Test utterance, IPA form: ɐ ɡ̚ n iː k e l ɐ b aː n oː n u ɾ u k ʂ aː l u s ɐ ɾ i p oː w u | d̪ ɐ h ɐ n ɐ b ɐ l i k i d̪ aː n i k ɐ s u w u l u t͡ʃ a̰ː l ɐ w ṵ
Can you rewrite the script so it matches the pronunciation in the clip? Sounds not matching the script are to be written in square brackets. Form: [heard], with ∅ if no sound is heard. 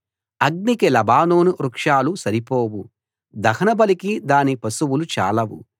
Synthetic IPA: ɐ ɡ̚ n [i] k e l ɐ b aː n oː n u ɾ u k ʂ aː l u s ɐ ɾ i p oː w u | d̪ ɐ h ɐ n ɐ b ɐ l i k i d̪ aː n i [p] ɐ s u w u l u t͡ʃ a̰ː l ɐ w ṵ